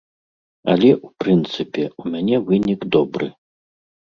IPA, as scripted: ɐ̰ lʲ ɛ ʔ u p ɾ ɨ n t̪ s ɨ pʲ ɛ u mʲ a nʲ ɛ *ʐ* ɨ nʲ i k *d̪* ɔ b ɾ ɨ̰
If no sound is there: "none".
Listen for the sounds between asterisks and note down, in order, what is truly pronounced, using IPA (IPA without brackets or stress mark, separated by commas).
v, d̪